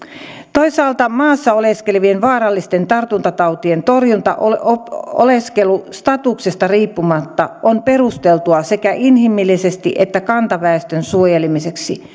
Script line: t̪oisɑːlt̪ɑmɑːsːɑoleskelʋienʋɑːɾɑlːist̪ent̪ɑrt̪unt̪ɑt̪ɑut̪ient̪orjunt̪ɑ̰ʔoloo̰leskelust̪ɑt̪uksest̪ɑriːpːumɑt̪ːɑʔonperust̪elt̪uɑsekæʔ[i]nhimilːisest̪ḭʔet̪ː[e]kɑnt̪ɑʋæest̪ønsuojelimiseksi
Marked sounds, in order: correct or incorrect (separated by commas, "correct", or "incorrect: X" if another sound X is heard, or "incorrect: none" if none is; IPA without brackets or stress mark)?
correct, incorrect: æ